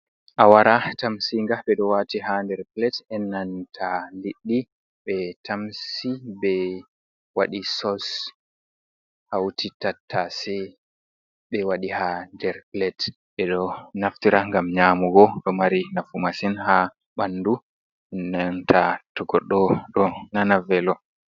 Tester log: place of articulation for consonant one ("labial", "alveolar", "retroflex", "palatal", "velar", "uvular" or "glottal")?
glottal